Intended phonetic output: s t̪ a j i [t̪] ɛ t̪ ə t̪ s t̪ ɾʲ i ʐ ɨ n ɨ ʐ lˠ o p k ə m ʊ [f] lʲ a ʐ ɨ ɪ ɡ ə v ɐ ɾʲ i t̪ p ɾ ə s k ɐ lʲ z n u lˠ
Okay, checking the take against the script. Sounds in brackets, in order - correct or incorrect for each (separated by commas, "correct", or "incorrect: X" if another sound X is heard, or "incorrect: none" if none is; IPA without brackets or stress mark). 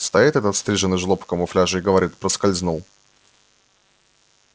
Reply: correct, correct